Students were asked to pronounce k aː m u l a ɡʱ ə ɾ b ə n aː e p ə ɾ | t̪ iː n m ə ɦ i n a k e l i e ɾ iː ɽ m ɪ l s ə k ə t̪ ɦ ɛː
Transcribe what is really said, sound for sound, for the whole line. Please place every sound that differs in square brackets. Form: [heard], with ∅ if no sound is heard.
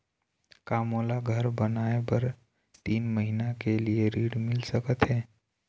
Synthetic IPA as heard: k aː m [o] l a ɡʱ ə ɾ b ə n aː e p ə ɾ | t̪ iː n m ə ɦ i n a k e l i e ɾ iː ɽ m ɪ l s ə k ə t̪ ɦ ɛː